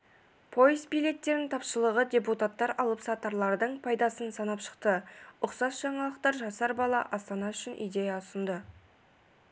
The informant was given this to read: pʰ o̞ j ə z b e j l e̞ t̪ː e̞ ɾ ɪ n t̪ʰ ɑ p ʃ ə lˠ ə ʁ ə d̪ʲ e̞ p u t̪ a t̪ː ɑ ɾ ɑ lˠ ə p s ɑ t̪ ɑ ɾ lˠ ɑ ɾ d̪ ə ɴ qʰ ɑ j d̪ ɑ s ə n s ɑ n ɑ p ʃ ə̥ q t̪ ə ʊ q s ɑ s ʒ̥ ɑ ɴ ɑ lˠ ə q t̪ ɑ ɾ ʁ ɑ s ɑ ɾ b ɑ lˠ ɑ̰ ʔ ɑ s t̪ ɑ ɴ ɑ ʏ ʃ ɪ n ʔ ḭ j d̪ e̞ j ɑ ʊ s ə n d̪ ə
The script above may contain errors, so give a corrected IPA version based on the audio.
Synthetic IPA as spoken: pʰ o̞ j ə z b i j l e̞ t̪ː e̞ ɾ ɪ n t̪ʰ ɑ p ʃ ə lˠ ə ʁ ə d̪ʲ e̞ p u t̪ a t̪ː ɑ ɾ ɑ lˠ ə p s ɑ t̪ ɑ ɾ lˠ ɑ ɾ d̪ ə ɴ pʰ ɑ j d̪ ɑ s ə n s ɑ n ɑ p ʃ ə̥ q t̪ ə ʊ q s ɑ s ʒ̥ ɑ ɴ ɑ lˠ ə q t̪ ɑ ɾ ʒ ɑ s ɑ ɾ b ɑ lˠ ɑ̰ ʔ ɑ s t̪ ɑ n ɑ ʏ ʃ ɪ n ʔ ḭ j d̪ e̞ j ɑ ʊ s ə n d̪ ə